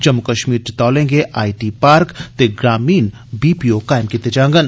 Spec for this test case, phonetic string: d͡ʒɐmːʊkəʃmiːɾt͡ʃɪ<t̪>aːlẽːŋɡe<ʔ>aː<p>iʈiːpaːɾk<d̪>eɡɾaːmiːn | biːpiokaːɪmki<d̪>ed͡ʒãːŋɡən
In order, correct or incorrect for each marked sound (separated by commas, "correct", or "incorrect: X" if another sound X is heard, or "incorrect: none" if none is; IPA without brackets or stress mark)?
correct, correct, incorrect: none, incorrect: t̪, incorrect: t̪